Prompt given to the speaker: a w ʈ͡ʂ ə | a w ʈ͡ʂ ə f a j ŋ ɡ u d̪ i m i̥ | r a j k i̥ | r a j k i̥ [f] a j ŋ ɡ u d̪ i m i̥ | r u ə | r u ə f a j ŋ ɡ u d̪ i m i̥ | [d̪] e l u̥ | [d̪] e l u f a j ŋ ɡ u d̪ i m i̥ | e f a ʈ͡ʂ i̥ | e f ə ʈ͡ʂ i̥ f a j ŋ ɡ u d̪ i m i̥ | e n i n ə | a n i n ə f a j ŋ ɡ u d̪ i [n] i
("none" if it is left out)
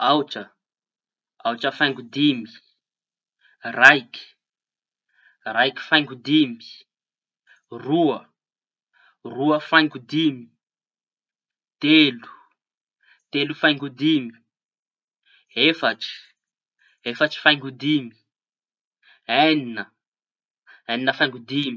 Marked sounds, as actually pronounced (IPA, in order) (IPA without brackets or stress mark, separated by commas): f, t̪, t̪, m